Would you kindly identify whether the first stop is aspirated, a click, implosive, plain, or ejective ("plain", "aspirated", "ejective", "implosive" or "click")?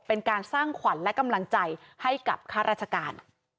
plain